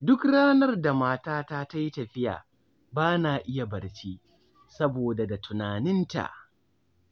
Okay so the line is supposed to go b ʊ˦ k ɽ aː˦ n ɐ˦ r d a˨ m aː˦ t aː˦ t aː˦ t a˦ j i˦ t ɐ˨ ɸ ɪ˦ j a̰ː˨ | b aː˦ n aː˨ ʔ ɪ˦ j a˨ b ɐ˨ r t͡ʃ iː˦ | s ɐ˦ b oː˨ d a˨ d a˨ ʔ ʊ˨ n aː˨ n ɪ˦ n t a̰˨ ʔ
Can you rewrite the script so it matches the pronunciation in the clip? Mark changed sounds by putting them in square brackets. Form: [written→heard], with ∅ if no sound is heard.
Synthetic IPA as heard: [b→d] ʊ˦ k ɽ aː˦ n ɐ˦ r d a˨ m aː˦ t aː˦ t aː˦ t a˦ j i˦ t ɐ˨ ɸ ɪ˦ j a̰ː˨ | b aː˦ n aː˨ ʔ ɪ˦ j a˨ b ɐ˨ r t͡ʃ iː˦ | s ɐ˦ b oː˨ d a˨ d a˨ [ʔ→t] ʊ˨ n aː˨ n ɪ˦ n t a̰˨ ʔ